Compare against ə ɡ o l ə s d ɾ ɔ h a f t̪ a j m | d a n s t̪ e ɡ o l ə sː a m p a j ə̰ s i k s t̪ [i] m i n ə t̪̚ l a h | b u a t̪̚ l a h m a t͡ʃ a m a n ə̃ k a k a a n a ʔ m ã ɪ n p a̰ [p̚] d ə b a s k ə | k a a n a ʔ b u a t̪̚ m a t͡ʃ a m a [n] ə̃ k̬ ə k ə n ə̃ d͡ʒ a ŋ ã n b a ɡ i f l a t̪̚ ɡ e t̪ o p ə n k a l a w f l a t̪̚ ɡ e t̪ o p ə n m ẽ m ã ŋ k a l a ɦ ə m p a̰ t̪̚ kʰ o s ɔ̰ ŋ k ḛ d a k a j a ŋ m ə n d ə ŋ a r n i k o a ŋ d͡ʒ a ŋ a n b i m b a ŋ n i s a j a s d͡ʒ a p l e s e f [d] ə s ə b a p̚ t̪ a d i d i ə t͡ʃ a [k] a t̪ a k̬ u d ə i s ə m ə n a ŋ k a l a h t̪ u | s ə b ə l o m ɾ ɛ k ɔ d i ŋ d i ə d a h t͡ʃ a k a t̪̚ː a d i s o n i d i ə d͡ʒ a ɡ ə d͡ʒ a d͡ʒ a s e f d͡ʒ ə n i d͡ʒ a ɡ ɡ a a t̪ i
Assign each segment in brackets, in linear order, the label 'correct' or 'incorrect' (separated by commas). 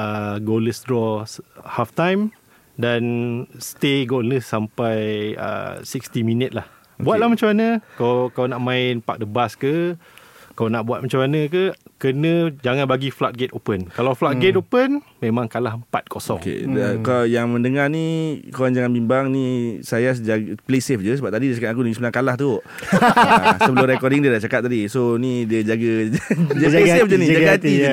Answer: correct, incorrect, correct, incorrect, correct